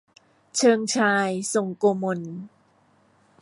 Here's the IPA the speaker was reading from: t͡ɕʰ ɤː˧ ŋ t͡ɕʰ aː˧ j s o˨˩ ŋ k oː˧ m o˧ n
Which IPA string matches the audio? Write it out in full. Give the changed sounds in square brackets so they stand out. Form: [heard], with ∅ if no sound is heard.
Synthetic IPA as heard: t͡ɕʰ ɤː˧ ŋ t͡ɕʰ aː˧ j s o˨˩ ŋ k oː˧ m o˧ n